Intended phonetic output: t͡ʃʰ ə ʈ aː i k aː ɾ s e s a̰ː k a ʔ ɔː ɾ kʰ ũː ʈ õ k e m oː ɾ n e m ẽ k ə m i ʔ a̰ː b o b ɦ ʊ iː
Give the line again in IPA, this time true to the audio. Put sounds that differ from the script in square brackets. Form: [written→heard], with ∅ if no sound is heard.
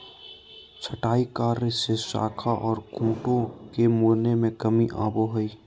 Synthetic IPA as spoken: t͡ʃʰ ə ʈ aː i k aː ɾ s e s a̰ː [k→kʰ] a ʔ ɔː ɾ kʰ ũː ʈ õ k e m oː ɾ n e m ẽ k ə m i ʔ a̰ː b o [b→∅] ɦ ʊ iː